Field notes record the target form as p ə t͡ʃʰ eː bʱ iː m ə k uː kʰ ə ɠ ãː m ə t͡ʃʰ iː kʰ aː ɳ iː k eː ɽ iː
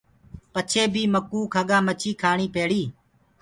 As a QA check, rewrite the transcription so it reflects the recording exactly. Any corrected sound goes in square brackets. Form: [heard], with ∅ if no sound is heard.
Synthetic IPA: p ə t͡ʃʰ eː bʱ iː m ə k uː kʰ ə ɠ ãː m ə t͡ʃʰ iː kʰ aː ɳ iː [p] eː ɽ iː